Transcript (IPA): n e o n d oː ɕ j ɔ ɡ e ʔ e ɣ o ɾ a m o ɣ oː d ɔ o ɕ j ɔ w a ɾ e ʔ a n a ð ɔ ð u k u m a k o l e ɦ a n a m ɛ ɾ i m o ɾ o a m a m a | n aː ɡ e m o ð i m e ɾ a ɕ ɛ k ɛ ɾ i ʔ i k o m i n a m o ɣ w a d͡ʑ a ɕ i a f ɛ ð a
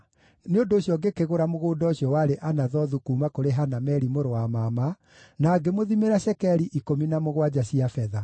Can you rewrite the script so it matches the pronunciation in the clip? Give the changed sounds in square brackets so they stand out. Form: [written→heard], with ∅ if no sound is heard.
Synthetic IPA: n e o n d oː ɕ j ɔ ɡ e [ʔ→k] e ɣ o ɾ a m o ɣ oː d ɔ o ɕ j ɔ w a ɾ e ʔ a n a ð ɔ ð u k u m a k o [l→ɾ] e ɦ a n a m ɛ ɾ i m o ɾ o a m a m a | n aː ɡ e m o ð i m e ɾ a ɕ ɛ k ɛ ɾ i ʔ i k o m i n a m o ɣ w a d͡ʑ a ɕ i a f ɛ ð a